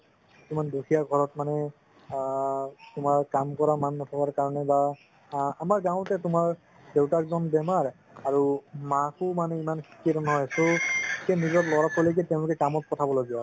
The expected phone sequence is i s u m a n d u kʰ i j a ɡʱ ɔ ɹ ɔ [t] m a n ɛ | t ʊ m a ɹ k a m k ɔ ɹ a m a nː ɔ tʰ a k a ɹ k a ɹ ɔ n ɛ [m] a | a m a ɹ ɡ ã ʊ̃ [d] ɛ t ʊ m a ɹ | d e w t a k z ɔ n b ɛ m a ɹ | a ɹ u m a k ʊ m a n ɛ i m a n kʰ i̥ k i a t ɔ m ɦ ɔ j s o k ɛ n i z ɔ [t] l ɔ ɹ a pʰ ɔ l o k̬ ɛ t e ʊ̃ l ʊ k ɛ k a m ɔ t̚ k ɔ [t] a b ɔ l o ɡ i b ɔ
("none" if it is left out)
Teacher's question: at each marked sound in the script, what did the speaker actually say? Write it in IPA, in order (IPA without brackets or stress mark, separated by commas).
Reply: t, b, t, t, tʰ